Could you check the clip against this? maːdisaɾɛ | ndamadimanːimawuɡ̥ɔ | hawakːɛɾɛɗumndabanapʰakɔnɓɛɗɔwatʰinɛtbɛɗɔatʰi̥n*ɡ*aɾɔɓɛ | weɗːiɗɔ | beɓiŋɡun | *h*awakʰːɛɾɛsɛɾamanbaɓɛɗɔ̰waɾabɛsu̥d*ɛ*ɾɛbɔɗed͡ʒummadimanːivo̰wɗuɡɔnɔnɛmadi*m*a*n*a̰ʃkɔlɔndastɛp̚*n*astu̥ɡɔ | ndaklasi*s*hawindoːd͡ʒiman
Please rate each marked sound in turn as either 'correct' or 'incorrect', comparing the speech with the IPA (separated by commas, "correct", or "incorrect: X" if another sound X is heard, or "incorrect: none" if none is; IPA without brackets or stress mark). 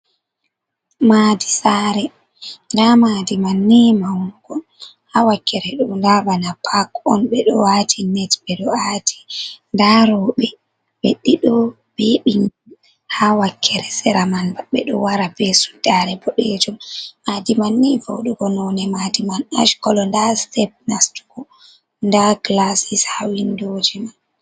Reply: incorrect: d, correct, incorrect: a, correct, correct, correct, correct